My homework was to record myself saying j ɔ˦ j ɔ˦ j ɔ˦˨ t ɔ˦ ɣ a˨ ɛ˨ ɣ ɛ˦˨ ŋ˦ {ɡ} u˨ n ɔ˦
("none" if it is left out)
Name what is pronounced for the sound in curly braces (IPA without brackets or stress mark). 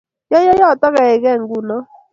ɡ